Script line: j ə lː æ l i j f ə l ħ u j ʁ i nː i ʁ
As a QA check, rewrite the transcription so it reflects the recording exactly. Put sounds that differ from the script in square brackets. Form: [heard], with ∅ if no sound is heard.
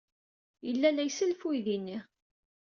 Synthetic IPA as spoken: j ə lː æ l [æ] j [s] ə l [f] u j [ð] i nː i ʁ